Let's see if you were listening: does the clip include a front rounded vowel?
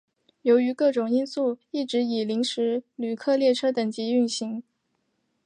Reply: yes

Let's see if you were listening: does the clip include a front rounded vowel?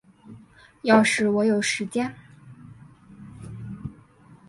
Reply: no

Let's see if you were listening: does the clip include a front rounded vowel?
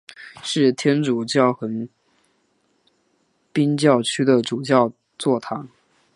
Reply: yes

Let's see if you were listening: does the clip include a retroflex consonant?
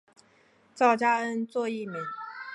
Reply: no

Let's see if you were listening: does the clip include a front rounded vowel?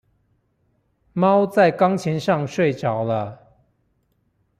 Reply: no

